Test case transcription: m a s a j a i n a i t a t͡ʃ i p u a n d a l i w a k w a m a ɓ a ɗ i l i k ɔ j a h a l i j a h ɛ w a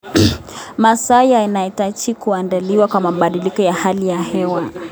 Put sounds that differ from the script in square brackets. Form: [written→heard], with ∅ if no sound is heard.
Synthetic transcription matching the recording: m a s a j a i n a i t a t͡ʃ i [p→k] u a n d a l i w a k w a m a ɓ a ɗ i l i k ɔ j a h a l i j a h ɛ w a